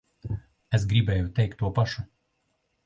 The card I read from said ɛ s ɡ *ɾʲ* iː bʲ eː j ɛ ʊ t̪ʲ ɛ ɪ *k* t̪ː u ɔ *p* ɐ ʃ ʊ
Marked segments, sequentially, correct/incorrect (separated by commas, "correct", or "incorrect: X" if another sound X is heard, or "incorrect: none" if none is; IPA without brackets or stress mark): correct, correct, correct